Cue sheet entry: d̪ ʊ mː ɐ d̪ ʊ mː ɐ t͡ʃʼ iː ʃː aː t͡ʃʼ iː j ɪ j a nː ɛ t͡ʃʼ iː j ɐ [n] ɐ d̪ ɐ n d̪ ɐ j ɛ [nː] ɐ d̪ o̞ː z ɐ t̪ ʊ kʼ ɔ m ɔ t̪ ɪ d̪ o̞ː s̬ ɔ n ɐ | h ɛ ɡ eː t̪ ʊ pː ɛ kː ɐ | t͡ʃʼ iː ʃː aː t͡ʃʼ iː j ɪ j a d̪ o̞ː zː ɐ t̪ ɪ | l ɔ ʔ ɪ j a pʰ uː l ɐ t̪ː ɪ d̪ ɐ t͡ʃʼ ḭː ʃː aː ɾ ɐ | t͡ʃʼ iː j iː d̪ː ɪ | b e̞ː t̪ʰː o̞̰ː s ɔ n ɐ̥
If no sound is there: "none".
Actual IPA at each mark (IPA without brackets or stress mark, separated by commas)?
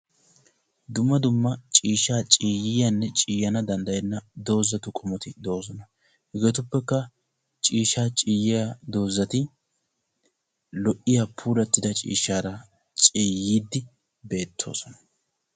n, nː